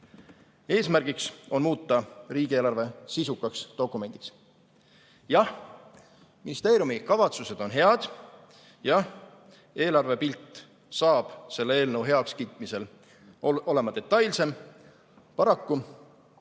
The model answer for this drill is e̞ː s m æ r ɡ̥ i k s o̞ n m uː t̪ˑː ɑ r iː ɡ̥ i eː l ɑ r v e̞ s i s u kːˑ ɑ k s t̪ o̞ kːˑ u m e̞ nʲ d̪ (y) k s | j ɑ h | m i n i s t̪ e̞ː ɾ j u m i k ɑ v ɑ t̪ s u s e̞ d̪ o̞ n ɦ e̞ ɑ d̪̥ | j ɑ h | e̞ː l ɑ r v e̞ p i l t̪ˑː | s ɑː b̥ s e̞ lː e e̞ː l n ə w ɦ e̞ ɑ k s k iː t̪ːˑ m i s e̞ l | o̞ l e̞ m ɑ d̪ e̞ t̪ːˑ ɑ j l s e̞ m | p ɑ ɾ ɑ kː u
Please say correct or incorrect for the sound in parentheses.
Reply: incorrect